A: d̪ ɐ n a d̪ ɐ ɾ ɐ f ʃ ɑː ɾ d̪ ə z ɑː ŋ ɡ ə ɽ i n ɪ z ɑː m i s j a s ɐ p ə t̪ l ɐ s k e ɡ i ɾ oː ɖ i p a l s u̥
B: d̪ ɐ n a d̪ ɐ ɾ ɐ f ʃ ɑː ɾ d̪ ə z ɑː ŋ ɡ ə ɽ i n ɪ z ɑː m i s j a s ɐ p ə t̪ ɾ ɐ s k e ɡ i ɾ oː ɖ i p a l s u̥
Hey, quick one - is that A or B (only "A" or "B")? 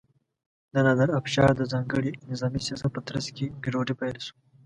B